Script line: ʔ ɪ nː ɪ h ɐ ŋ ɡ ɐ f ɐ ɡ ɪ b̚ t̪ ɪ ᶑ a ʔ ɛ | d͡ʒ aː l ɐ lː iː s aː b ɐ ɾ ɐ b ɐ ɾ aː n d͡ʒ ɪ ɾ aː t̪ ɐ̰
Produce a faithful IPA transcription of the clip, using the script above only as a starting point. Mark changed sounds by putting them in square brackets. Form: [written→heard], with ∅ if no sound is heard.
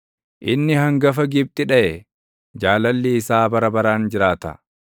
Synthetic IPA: ʔ ɪ nː ɪ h ɐ ŋ ɡ ɐ f ɐ ɡ ɪ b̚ [t̪→t̪ʼ] ɪ ᶑ [a→ɐ] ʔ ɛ | d͡ʒ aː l ɐ lː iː s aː b ɐ ɾ ɐ b ɐ ɾ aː n d͡ʒ ɪ ɾ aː t̪ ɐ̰